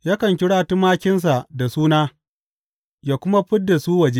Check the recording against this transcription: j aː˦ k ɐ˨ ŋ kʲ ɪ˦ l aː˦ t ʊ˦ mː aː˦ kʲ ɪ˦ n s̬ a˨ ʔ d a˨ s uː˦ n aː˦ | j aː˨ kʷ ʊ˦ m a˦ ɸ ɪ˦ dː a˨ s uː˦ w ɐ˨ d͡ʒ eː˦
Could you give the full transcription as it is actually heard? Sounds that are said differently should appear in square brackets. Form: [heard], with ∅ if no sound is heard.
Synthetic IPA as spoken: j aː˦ k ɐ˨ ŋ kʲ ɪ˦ [ɽ] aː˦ t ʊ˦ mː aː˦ kʲ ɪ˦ n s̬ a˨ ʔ d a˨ s uː˦ n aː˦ | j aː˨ kʷ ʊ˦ m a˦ ɸ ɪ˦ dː a˨ s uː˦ w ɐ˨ d͡ʒ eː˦